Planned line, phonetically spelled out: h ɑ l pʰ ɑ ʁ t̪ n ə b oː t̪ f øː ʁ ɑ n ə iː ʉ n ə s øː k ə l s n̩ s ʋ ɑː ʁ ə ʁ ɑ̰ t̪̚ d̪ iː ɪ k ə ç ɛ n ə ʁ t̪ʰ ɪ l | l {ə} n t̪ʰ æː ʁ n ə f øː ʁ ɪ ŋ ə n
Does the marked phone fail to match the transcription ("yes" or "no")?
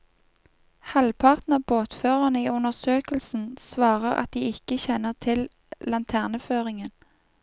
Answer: yes